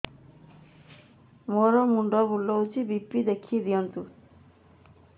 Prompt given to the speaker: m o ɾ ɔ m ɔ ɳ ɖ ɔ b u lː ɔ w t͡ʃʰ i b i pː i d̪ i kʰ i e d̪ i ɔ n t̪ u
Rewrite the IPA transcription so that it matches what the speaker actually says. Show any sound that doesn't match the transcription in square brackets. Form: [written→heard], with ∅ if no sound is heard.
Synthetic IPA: m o ɾ ɔ m [ɔ→u] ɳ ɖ ɔ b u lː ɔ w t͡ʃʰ i b i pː i d̪ [i→e] kʰ i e d̪ i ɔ n t̪ u

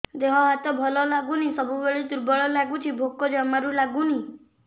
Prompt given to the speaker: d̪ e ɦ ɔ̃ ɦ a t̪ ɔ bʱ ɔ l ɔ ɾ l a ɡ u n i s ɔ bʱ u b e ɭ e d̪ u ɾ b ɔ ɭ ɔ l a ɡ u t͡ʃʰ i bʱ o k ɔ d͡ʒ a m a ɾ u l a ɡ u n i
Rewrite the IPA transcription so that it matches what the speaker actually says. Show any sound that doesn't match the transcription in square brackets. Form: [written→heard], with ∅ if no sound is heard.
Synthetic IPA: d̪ e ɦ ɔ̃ ɦ a t̪ ɔ bʱ ɔ l ɔ [ɾ→∅] l a ɡ u n i s ɔ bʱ u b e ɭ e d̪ u ɾ b ɔ ɭ ɔ l a ɡ u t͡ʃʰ i bʱ o k ɔ d͡ʒ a m a ɾ u l a ɡ u n i

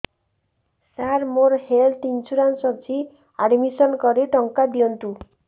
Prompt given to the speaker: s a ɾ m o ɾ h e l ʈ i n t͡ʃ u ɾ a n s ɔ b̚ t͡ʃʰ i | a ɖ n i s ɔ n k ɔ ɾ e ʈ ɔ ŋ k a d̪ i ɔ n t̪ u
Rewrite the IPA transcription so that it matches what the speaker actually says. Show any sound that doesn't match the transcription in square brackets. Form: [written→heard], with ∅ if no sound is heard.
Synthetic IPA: s a ɾ m o ɾ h e l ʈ i n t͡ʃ u ɾ a n s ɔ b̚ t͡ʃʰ i | a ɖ [n→m] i s ɔ n k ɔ ɾ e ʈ ɔ ŋ k a d̪ i ɔ n t̪ u

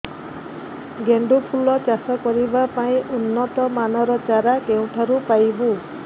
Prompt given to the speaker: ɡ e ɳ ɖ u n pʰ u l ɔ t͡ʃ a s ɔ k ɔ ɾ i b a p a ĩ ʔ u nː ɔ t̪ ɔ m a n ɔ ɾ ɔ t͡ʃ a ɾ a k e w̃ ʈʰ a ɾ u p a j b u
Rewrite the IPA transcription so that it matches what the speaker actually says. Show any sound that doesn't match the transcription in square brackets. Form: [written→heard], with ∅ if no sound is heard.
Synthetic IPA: ɡ e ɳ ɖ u [n→∅] pʰ u l ɔ t͡ʃ a s ɔ k ɔ ɾ i b a p a ĩ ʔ u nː ɔ t̪ ɔ m a n ɔ ɾ ɔ t͡ʃ a ɾ a k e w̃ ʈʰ a ɾ u p a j b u

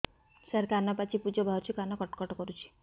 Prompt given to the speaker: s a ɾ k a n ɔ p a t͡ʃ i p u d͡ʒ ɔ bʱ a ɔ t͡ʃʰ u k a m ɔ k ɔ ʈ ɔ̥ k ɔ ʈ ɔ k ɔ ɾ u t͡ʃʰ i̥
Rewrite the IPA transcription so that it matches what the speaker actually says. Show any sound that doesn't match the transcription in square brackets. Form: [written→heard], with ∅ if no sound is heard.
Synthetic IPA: s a ɾ k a n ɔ p a t͡ʃ i p u d͡ʒ ɔ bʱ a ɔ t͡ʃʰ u k a [m→n] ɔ k ɔ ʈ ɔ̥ k ɔ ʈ ɔ k ɔ ɾ u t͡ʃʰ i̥

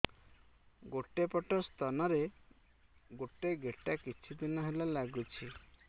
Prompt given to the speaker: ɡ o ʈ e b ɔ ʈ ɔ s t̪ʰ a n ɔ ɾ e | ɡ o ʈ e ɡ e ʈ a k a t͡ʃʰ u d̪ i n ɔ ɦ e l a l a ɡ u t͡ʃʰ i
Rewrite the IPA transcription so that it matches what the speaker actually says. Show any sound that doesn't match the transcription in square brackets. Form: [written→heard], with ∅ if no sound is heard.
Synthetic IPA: ɡ o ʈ e [b→p] ɔ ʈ ɔ s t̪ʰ a n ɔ ɾ e | ɡ o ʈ e ɡ e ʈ a k [a→i] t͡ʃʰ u d̪ i n ɔ ɦ e l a l a ɡ u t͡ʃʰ i

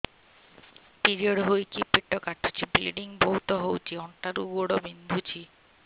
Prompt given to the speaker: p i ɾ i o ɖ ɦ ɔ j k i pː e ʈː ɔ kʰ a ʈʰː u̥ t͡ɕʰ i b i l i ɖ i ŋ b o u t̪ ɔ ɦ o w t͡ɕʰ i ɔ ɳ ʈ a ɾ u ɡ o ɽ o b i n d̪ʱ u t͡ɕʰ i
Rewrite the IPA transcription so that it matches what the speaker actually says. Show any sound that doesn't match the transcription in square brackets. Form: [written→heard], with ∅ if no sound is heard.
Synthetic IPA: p i ɾ i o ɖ ɦ [ɔ→o] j k i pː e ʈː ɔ [kʰ→k] a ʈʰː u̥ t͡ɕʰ i b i l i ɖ i ŋ b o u t̪ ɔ ɦ o w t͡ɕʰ i ɔ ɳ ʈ a ɾ u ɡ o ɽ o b i n d̪ʱ u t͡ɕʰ i

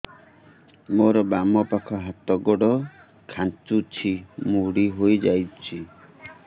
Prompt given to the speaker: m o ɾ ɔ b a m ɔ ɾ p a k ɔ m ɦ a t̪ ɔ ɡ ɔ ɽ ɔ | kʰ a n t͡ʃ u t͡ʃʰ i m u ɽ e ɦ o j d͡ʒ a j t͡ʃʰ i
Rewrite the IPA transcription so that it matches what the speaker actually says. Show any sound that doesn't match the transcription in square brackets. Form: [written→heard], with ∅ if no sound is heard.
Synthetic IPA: m o ɾ ɔ b a m ɔ [ɾ→∅] p a [k→kʰ] ɔ [m→∅] ɦ a t̪ ɔ ɡ ɔ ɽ ɔ | kʰ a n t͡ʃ u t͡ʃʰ i m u ɽ [e→i] ɦ o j d͡ʒ a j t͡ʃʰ i

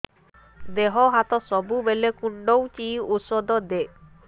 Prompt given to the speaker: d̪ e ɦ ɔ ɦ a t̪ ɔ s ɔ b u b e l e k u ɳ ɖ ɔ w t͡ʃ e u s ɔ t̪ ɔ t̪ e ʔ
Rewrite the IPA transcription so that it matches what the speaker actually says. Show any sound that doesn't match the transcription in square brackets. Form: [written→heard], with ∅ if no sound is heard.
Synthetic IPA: d̪ e ɦ ɔ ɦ a t̪ ɔ s ɔ b u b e l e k u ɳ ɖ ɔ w t͡ʃ [e→i] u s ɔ [t̪→d̪] ɔ [t̪→d̪] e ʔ

